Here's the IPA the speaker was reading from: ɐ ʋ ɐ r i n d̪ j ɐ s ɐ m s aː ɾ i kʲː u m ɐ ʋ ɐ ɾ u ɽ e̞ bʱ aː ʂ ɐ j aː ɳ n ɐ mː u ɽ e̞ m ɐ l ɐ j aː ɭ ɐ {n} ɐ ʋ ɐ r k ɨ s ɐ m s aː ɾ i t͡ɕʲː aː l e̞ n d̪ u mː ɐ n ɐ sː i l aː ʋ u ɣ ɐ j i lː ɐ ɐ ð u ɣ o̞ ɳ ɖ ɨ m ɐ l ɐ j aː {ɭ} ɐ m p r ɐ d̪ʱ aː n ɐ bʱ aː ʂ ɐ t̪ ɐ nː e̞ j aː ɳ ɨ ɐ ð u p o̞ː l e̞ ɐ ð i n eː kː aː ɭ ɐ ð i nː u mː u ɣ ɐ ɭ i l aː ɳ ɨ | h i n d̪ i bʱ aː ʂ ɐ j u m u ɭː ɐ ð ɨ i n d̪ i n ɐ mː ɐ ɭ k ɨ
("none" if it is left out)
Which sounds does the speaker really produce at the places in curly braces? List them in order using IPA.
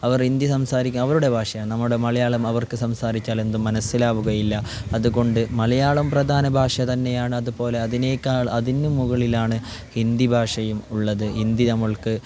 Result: m, ɭ

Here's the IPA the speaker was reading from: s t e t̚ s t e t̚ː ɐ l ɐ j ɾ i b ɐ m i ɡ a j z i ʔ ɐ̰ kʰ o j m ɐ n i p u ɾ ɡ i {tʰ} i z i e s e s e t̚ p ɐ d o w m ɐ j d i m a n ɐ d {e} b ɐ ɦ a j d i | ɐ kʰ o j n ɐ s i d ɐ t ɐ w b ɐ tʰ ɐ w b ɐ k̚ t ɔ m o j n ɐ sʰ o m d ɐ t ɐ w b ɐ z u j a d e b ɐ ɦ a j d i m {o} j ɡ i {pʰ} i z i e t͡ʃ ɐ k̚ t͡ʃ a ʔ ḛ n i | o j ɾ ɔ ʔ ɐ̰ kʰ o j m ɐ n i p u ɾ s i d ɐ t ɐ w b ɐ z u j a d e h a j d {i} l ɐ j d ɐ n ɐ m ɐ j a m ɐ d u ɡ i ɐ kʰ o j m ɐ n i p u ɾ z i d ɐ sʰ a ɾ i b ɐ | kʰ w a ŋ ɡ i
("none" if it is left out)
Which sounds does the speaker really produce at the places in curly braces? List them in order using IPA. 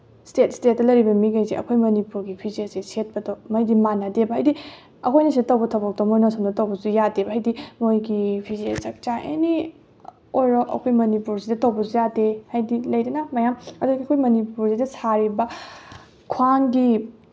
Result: pʰ, e, o, pʰ, i

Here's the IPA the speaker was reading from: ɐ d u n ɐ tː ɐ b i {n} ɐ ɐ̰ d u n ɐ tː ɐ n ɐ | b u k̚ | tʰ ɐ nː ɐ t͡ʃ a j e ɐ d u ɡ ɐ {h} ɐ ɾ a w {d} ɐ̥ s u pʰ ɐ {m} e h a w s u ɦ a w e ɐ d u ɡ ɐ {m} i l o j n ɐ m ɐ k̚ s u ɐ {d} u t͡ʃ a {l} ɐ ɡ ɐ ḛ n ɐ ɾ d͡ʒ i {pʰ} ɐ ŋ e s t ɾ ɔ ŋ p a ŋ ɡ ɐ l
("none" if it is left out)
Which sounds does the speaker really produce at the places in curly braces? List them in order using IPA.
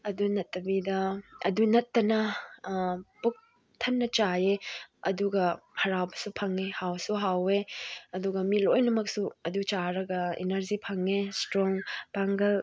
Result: d, h, b, ŋ, m, d, ɾ, pʰ

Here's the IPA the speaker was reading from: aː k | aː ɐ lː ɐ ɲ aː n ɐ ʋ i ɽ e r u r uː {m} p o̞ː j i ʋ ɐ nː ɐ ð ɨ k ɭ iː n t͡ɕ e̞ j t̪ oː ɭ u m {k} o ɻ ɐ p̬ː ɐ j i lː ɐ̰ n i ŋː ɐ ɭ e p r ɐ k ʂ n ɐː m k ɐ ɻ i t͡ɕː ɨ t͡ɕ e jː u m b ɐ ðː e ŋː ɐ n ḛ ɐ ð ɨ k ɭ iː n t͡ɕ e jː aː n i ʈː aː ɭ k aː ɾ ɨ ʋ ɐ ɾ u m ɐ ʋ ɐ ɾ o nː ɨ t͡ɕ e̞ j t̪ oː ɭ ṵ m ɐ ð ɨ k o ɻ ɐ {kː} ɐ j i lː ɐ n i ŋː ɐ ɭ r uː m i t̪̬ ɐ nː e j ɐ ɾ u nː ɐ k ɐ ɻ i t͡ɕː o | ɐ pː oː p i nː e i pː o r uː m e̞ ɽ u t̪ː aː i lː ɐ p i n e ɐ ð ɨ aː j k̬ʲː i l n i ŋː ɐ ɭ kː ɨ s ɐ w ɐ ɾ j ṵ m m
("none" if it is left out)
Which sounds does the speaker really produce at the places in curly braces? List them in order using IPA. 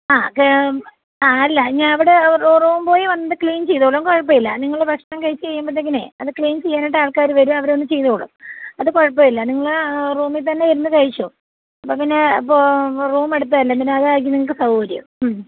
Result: m, k, pː

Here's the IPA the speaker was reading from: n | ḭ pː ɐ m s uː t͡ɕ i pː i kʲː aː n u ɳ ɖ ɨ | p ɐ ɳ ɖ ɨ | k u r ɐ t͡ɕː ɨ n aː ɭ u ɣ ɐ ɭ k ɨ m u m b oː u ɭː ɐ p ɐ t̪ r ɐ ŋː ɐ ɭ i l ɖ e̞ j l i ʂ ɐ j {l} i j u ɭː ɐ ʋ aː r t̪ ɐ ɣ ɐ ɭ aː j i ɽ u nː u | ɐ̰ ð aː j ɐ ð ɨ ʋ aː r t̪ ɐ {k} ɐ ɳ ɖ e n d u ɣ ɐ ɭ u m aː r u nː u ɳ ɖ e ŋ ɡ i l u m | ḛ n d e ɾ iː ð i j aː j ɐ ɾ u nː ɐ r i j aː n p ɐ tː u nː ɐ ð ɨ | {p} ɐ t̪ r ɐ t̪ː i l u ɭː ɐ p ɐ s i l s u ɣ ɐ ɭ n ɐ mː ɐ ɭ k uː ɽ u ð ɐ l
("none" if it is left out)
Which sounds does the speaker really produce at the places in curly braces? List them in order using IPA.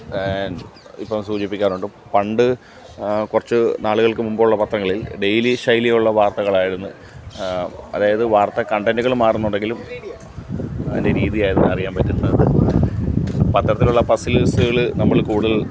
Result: l, k, p

